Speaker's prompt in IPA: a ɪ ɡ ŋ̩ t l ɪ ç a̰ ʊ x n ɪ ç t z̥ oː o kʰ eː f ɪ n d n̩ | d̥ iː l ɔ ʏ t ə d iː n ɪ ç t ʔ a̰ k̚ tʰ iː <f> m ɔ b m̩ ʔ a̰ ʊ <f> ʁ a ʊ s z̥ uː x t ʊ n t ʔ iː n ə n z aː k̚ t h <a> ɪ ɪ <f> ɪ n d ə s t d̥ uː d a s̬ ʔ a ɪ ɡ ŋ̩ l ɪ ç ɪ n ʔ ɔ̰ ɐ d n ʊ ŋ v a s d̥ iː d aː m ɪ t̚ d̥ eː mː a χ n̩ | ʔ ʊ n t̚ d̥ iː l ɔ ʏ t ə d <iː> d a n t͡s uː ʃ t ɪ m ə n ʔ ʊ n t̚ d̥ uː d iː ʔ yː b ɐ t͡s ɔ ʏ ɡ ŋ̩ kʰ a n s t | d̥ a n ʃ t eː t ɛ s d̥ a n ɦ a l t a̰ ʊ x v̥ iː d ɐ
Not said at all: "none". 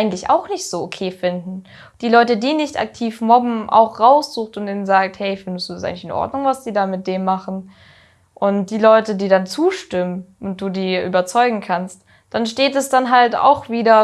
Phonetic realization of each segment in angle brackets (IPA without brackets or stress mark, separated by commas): f, x, ɛ, f, iː